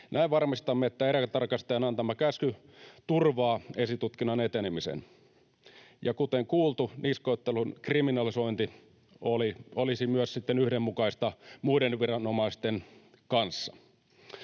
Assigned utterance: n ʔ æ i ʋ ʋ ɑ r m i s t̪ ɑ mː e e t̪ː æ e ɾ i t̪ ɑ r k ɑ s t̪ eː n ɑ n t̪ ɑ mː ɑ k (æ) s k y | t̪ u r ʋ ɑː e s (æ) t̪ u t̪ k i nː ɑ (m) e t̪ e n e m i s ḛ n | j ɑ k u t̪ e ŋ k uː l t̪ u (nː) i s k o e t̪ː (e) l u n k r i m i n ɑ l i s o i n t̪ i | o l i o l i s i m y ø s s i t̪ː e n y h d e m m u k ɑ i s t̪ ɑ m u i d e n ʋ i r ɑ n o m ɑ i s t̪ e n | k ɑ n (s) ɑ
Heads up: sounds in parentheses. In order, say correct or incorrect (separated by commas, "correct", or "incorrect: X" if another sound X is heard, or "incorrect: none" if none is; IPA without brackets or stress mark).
correct, incorrect: i, incorrect: n, incorrect: n, correct, incorrect: sː